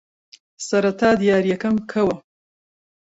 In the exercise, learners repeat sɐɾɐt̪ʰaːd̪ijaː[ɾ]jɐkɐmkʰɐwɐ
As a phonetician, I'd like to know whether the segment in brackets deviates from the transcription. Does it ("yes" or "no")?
no